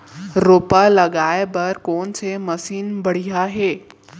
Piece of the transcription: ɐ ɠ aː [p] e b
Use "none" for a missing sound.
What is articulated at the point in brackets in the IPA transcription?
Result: none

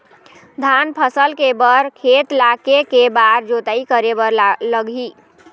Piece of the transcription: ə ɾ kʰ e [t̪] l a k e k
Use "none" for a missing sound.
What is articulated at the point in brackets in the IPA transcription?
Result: t̪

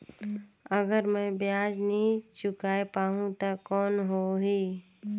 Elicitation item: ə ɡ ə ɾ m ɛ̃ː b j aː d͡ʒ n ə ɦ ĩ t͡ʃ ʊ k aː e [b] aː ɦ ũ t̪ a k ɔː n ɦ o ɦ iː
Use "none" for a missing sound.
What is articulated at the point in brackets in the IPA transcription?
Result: p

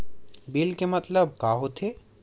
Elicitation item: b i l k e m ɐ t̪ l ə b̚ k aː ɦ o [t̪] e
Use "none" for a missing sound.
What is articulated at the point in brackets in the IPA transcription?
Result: t̪ʰ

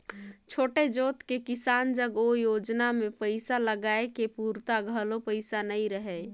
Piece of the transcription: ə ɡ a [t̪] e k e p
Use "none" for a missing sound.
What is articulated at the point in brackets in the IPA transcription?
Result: none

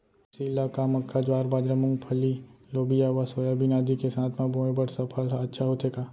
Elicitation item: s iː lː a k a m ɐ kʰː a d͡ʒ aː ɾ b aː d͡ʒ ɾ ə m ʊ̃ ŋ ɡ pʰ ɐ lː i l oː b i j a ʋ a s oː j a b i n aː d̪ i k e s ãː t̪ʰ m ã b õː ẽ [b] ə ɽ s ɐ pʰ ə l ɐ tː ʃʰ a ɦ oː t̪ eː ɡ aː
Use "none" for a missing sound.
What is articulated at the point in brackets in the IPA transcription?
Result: b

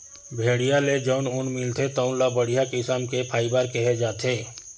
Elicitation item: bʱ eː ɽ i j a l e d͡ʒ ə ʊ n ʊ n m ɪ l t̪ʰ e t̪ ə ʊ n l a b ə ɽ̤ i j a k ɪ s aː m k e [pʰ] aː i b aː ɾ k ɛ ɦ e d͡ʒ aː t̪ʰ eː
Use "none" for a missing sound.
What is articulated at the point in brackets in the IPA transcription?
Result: pʰ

